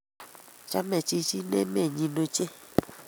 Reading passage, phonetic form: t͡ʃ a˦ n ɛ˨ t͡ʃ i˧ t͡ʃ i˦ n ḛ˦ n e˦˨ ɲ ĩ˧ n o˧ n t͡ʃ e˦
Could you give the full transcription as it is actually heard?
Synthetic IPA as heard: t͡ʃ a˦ m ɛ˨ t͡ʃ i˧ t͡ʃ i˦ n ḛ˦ m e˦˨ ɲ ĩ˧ n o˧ t͡ʃ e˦